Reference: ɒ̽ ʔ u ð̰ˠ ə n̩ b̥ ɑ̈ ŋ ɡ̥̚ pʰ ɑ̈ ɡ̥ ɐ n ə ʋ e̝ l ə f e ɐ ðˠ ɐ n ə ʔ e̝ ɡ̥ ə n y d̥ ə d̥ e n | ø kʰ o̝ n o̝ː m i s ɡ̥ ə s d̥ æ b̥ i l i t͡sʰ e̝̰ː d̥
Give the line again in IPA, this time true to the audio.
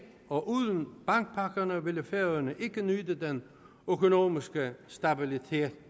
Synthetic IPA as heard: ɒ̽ ʔ u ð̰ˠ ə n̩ b̥ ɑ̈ ŋ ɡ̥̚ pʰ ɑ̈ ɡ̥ ɐ n ə ʋ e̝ l ə f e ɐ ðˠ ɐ n ə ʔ e̝ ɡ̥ ə n y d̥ ə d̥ e n | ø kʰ o̝ n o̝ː m i s ɡ̥ ə s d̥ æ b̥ i l i t͡sʰ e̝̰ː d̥